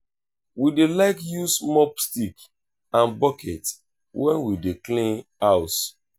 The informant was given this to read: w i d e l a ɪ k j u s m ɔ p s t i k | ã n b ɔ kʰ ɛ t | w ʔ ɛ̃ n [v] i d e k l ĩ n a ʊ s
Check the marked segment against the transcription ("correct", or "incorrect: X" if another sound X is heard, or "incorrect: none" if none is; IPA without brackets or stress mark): incorrect: w